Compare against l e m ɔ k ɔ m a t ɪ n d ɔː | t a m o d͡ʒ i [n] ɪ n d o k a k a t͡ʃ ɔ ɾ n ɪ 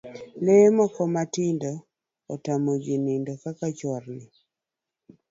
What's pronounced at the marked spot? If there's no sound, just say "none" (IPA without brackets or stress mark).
n